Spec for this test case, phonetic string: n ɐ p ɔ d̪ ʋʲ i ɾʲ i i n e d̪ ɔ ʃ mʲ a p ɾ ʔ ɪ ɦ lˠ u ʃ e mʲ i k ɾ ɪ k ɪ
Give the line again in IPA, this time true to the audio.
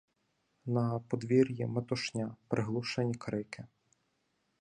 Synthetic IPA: n ɐ p ɔ d̪ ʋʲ i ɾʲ j i m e t̪ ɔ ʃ nʲ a p ɾ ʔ ɪ ɦ lˠ u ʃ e nʲ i k ɾ ɪ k ɪ